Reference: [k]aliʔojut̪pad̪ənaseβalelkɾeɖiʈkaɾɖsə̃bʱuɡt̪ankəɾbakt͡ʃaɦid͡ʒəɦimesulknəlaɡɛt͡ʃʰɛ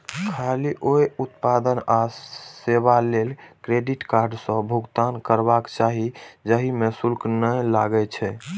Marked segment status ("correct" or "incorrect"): incorrect